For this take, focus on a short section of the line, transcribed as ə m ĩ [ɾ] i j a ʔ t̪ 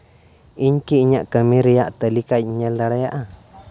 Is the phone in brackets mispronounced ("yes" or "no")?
no